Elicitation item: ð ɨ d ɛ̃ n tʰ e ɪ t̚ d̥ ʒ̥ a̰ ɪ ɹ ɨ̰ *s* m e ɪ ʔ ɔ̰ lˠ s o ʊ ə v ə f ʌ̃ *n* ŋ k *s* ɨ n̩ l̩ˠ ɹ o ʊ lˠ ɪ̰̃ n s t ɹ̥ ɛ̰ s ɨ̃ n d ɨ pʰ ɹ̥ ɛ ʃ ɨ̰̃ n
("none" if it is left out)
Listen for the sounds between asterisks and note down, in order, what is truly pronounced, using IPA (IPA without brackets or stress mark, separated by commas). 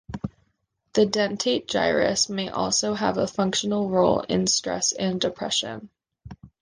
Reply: s, none, ʃ